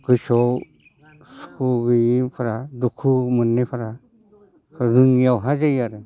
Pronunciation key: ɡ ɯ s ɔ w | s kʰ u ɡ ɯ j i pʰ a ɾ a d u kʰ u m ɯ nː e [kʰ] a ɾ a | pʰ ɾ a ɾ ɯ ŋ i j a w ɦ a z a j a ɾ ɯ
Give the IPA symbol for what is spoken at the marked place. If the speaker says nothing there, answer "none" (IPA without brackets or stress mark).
pʰ